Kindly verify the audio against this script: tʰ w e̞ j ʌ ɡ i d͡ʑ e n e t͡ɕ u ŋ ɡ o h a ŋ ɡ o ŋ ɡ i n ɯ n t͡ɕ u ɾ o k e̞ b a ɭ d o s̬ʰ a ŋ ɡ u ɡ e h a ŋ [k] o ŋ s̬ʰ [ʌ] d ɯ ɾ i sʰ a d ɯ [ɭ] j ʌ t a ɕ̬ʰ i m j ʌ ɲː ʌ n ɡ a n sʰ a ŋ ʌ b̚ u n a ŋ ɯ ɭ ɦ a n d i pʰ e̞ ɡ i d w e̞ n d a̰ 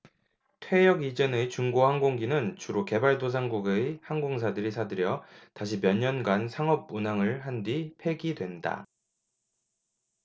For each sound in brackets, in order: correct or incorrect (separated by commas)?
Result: incorrect, incorrect, incorrect